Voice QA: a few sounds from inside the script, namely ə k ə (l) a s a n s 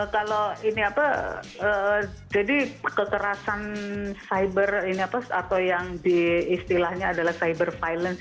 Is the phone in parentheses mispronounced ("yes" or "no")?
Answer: yes